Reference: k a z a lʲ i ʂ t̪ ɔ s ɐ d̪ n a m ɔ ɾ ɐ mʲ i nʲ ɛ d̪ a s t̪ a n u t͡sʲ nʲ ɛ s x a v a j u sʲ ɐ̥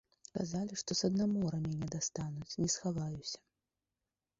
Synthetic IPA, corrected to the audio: k a z a lʲ i ʂ t̪ ɔ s ɐ d̪ n a m ɔ ɾ ɐ mʲ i nʲ ɛ d̪ a s t̪ a n u t͡sʲ nʲ ɛ s x a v a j u sʲ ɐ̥